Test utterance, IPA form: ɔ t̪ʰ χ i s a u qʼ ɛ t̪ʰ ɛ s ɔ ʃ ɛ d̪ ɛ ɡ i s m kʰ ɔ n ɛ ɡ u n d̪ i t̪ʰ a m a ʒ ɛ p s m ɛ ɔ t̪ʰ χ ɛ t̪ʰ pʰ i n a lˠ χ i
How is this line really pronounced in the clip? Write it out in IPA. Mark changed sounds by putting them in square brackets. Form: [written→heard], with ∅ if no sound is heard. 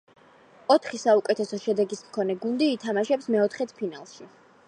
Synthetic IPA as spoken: ɔ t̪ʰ χ i s a u [qʼ→kʼ] ɛ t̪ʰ ɛ s ɔ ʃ ɛ d̪ ɛ ɡ i s m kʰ ɔ n ɛ ɡ u n d̪ [i→iː] t̪ʰ a m a [ʒ→ʃ] ɛ p s m ɛ ɔ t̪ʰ χ ɛ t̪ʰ pʰ i n a lˠ [χ→ʃ] i